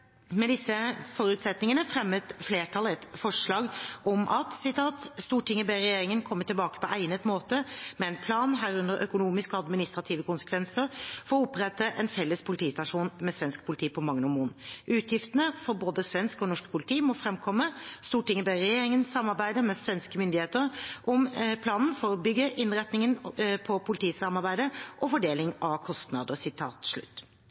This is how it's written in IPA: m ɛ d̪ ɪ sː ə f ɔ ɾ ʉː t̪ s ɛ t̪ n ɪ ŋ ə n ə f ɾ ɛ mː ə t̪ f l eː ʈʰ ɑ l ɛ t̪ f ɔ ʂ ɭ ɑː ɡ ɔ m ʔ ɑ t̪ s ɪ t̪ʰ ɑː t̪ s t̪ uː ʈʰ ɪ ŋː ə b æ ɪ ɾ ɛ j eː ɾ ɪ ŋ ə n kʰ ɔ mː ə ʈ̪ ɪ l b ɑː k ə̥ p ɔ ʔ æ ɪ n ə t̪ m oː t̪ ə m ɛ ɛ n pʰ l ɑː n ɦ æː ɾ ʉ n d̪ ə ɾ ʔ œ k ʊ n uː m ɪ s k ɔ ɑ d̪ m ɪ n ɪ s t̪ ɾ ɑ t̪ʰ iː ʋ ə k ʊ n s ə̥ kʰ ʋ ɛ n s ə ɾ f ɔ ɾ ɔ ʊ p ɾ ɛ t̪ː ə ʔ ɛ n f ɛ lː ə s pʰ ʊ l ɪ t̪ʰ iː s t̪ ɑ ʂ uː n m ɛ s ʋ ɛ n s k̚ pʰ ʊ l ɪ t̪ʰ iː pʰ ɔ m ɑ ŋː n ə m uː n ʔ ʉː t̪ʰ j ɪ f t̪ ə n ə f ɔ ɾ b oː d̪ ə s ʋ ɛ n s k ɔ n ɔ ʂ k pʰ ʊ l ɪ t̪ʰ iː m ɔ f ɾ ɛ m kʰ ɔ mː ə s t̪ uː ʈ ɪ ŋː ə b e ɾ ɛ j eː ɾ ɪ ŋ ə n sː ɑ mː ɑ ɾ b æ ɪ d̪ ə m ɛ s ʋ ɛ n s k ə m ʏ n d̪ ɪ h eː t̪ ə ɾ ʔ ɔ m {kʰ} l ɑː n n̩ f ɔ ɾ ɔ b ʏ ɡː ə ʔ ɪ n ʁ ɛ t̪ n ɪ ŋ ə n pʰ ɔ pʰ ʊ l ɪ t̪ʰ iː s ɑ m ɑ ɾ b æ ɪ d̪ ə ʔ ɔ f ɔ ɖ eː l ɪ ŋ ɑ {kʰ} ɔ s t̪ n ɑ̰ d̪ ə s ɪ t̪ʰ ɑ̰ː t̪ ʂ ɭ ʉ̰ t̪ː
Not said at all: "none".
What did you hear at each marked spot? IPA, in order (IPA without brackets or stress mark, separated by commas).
pʰ, kʰ